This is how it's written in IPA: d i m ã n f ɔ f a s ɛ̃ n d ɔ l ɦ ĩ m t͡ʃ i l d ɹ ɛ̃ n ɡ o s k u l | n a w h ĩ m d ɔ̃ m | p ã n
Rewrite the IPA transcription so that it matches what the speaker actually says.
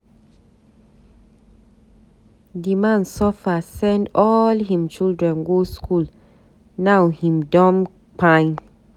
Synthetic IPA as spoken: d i m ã n s ɔ f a s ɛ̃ n d ɔ l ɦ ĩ m t͡ʃ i l d ɹ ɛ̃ n ɡ o s k u l | n a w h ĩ m d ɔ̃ m | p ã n